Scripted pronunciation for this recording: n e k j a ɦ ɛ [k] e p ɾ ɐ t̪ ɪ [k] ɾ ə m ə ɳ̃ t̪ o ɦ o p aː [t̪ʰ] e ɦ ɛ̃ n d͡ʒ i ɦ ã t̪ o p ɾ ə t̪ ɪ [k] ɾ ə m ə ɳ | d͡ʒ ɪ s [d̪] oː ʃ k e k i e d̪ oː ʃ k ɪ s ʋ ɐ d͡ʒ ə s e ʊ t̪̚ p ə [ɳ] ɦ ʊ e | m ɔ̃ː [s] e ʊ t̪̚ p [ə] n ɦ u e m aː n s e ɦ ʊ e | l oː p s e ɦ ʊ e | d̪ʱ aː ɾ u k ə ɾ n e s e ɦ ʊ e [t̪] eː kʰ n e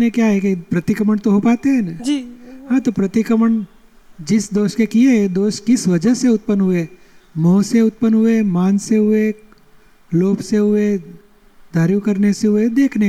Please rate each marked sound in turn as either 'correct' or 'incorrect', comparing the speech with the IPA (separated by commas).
correct, correct, incorrect, correct, correct, incorrect, correct, correct, incorrect